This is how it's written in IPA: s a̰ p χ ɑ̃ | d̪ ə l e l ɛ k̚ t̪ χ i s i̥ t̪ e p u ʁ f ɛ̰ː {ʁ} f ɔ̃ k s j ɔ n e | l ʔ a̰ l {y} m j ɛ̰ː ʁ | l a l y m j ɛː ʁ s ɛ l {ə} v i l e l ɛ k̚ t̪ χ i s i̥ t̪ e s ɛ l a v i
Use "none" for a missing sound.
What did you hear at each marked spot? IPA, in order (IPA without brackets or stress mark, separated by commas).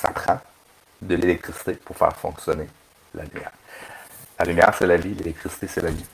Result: ʁ, y, a